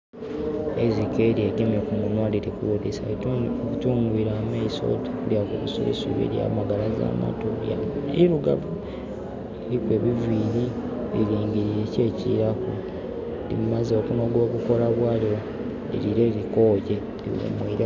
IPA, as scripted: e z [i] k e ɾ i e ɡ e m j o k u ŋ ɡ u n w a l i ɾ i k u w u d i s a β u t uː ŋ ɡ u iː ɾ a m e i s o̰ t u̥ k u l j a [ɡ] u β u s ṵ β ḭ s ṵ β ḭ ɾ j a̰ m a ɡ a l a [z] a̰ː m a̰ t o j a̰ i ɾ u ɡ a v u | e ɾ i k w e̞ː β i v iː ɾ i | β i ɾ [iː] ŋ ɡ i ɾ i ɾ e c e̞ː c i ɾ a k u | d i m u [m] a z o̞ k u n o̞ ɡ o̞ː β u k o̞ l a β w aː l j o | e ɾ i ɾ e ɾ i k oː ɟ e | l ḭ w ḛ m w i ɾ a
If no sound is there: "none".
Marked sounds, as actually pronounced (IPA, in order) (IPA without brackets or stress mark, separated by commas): i, k, z, iː, m